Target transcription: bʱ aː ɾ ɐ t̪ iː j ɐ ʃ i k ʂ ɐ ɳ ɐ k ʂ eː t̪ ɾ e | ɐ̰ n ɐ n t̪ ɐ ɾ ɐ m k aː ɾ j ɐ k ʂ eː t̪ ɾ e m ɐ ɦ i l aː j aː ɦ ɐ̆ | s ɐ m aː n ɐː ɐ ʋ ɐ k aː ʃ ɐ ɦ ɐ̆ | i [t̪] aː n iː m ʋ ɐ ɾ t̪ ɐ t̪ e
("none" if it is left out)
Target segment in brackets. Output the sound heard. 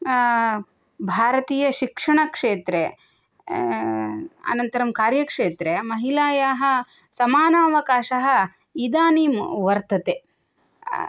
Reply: d̪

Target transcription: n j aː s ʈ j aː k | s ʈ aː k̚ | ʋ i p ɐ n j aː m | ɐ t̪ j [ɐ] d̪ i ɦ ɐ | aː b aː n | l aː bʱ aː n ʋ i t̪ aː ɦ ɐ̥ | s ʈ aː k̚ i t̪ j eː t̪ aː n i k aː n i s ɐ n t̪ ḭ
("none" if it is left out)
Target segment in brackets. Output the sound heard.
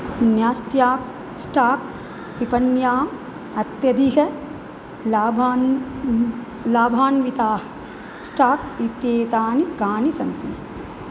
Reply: ɐ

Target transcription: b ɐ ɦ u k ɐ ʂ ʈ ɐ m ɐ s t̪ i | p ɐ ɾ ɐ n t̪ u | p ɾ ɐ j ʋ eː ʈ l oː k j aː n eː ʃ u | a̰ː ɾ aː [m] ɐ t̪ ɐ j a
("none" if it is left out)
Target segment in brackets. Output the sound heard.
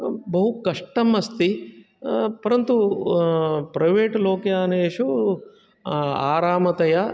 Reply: m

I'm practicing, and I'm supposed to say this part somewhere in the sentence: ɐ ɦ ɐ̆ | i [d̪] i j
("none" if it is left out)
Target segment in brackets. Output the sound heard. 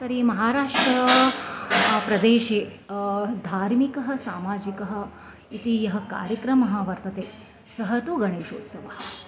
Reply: t̪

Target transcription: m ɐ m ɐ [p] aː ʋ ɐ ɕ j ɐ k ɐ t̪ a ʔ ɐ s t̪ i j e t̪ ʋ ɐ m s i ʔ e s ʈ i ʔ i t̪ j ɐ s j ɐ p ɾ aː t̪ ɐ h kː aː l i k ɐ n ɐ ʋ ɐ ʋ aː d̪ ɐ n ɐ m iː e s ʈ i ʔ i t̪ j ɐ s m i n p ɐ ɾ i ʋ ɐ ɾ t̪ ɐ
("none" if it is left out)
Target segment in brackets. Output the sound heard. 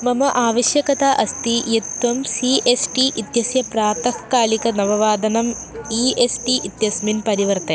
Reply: ʔ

